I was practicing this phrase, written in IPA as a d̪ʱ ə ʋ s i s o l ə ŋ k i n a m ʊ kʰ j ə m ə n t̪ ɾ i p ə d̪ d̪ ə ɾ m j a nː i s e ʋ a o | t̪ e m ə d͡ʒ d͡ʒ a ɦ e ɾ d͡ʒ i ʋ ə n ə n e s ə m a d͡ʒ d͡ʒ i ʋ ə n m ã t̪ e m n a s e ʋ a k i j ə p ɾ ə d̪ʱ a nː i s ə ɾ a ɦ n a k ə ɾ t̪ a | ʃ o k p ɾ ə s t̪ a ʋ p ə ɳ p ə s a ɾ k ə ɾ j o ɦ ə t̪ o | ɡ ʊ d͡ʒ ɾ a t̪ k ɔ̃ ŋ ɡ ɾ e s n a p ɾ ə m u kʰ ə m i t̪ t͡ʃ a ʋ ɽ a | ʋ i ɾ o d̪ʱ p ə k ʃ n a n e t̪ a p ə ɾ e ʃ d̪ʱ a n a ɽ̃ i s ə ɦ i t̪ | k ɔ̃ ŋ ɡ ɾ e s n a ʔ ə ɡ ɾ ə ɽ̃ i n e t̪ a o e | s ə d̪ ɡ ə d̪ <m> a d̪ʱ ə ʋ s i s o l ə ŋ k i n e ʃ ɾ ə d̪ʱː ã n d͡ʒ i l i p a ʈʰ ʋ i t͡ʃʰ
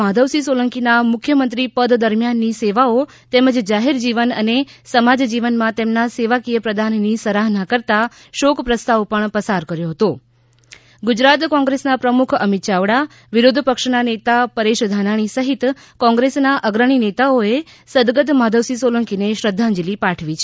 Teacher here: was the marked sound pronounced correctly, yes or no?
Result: yes